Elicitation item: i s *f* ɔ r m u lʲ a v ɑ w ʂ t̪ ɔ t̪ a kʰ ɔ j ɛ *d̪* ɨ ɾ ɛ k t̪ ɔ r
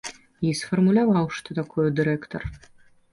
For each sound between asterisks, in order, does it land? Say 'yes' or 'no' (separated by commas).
yes, yes